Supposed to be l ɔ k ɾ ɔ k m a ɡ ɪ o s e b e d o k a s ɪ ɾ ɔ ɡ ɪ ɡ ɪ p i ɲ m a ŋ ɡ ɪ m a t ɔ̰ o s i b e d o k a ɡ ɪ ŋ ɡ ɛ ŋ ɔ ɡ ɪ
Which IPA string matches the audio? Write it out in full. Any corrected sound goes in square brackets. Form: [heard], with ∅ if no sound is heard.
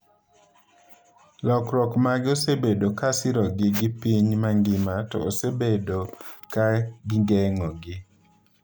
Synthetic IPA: l ɔ k ɾ ɔ k m a ɡ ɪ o s e b e d o k a s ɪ ɾ ɔ ɡ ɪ ɡ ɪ p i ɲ m a ŋ ɡ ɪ m a t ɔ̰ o s [e] b e d o k a ɡ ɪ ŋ ɡ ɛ ŋ ɔ ɡ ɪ